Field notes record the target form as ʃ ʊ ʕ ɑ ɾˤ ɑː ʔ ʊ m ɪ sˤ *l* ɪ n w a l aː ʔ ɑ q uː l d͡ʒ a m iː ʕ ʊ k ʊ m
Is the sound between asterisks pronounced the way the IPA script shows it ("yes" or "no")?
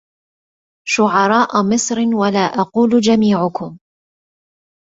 no